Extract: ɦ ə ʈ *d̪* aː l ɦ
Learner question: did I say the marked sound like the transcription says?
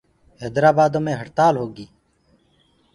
no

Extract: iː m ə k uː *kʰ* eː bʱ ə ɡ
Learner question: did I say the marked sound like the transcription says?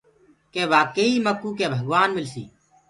no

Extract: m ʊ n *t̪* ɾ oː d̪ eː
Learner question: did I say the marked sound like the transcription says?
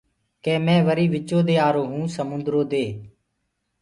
no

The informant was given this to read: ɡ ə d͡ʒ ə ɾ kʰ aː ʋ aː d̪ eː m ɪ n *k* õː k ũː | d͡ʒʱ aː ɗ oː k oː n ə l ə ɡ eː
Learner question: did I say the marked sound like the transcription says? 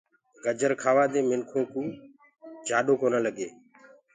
no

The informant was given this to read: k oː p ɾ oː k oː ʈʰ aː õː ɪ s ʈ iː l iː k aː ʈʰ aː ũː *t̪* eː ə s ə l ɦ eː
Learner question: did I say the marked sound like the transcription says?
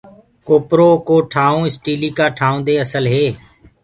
no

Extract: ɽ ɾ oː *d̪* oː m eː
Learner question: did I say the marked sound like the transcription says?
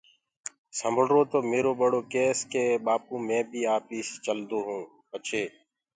no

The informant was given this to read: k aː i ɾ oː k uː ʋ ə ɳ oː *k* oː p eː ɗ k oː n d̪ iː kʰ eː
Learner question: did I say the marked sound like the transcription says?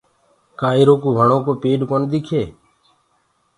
yes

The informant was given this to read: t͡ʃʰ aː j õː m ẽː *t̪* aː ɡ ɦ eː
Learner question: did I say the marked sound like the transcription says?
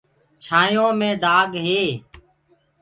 no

